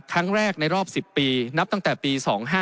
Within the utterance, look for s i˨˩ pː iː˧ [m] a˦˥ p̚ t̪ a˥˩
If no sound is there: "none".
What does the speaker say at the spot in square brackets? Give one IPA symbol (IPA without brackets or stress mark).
n